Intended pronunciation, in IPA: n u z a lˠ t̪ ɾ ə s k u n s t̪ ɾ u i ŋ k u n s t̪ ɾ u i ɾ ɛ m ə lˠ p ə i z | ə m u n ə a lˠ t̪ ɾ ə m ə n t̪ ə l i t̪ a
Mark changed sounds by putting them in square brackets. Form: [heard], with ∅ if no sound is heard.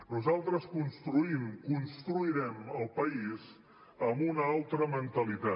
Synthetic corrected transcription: n u z a lˠ t̪ ɾ ə s k u n s t̪ ɾ u i [m] k u n s t̪ ɾ u i ɾ ɛ m ə lˠ p ə i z | ə m u n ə a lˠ t̪ ɾ ə m ə n t̪ ə l i t̪ a